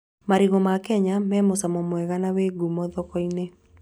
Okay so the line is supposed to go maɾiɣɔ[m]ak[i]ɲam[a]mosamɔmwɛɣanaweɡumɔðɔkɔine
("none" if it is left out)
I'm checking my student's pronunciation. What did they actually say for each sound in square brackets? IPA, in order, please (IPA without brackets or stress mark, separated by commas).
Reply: m, ɛ, ɛ